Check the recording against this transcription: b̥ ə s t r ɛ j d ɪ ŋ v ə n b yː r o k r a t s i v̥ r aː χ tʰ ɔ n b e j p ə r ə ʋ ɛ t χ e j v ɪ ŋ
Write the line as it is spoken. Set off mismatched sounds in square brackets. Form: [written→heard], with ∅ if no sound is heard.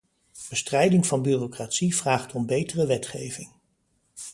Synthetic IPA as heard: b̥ ə s t r ɛ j d ɪ ŋ v [ə→ɑ] n b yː r o k r a t s i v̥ r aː χ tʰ ɔ [n→m] b e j [p→t] ə r ə ʋ ɛ t χ e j v ɪ ŋ